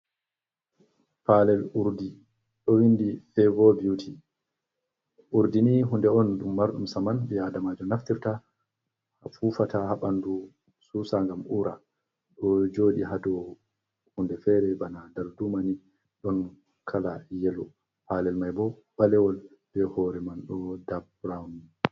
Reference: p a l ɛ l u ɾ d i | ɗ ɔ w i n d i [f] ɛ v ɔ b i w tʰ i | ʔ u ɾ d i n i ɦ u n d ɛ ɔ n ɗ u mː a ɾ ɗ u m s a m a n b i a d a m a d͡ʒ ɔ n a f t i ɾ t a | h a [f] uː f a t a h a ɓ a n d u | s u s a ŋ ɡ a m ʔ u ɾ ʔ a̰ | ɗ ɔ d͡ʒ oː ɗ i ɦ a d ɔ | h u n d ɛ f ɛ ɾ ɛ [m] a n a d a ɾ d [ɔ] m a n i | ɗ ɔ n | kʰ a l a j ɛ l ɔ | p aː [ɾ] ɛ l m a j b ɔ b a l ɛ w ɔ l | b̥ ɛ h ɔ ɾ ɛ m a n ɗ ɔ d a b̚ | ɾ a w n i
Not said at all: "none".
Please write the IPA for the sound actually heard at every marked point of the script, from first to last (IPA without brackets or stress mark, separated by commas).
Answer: f, f, b, u, l